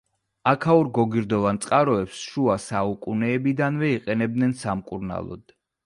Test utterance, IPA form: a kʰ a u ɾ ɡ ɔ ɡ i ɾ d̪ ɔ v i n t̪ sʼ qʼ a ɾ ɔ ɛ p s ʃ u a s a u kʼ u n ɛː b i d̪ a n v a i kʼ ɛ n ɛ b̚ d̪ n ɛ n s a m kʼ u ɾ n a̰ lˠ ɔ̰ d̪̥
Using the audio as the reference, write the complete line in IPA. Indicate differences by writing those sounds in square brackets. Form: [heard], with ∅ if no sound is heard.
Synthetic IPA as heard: a kʰ a u ɾ ɡ ɔ ɡ i ɾ d̪ ɔ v [a] n t̪ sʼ qʼ a ɾ ɔ ɛ p s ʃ u a s a u kʼ u n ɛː b i d̪ a n v [ɛ] i [qʼ] ɛ n ɛ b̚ d̪ n ɛ n s a m kʼ u ɾ n a̰ lˠ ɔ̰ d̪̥

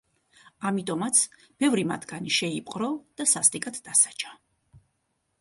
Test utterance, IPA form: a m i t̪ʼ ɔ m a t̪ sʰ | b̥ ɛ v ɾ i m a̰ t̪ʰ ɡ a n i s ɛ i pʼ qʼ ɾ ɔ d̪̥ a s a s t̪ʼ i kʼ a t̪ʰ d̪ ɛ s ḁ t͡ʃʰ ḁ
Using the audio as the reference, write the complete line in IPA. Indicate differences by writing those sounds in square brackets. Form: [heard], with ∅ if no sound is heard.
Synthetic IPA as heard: a m i t̪ʼ ɔ m a t̪ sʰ | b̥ ɛ v ɾ i m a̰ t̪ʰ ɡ a n i [ʃ] ɛ i pʼ qʼ ɾ ɔ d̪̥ a s a s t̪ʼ i kʼ a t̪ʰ d̪ [a] s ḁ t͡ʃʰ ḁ

